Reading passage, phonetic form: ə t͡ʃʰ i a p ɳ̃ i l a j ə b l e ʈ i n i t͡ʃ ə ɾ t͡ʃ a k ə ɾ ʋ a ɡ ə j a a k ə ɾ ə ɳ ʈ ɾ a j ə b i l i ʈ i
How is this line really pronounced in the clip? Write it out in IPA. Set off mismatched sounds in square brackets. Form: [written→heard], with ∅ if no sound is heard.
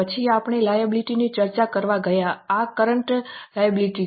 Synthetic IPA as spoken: ə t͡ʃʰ i a p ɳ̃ [i→e] l a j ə b l [e→i] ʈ i n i t͡ʃ ə ɾ t͡ʃ a k ə ɾ ʋ a ɡ ə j a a k ə ɾ ə ɳ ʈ [ɾ→l] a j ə b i l i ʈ i